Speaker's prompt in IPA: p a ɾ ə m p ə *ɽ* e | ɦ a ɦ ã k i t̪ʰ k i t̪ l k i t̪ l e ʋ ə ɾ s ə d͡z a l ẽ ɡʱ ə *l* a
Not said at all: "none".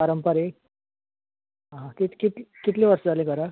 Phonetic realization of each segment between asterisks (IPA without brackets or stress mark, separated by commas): ɾ, ɾ